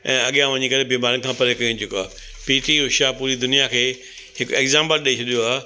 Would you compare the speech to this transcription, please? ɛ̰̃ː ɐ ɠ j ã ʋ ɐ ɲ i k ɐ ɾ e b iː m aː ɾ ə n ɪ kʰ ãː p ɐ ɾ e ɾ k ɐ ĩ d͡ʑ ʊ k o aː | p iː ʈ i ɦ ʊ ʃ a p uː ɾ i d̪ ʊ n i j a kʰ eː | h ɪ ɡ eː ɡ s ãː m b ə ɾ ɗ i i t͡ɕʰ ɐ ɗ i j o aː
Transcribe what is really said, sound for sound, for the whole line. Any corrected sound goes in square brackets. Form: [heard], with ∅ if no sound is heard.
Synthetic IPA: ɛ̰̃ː ɐ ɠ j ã ʋ ɐ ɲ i k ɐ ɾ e b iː m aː ɾ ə n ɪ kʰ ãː p ɐ ɾ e [∅] k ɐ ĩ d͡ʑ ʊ k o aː | p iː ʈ i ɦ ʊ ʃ a p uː ɾ i d̪ ʊ n i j a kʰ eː | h ɪ [k] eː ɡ [z] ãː m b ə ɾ ɗ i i t͡ɕʰ ɐ ɗ i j o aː